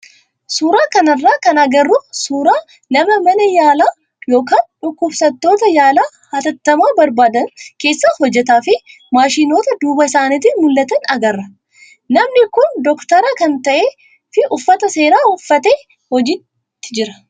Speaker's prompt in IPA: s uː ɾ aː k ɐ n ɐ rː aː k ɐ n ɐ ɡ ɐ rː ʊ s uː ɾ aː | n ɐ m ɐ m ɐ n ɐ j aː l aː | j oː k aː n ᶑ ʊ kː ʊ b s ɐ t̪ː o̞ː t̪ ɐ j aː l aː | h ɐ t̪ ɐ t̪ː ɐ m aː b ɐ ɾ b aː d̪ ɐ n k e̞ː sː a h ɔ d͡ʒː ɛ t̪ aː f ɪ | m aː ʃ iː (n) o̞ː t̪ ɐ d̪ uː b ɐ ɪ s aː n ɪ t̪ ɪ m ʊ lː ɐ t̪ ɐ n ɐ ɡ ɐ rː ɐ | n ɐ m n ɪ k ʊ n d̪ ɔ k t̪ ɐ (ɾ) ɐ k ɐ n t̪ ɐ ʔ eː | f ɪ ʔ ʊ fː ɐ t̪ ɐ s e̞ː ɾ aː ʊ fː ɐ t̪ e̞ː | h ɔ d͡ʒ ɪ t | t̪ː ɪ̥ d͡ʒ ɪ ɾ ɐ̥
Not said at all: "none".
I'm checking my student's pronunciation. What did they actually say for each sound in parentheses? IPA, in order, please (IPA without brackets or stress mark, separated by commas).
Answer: n, ɾ